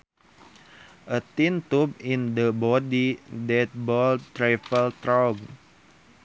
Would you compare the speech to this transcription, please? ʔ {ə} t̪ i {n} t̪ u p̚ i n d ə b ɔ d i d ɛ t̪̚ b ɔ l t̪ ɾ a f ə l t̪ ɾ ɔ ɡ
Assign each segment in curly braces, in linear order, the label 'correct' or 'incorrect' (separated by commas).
correct, correct